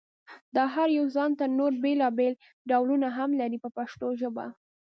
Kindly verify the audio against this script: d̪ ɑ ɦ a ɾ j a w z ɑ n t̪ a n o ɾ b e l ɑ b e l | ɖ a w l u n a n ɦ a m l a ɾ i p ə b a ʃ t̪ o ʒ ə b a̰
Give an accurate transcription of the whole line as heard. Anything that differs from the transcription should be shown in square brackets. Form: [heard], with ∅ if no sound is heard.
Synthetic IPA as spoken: d̪ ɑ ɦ a ɾ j a w z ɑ n t̪ a n o ɾ b e l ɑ b e l | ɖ a w l u n a [∅] ɦ a m l a ɾ i p ə [p] a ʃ t̪ o ʒ ə b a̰